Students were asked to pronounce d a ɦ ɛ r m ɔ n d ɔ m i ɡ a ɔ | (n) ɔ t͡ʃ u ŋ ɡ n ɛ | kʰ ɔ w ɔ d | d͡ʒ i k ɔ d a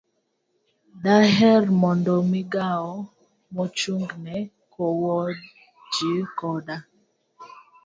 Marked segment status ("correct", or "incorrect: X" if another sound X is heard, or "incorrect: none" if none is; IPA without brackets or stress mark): incorrect: m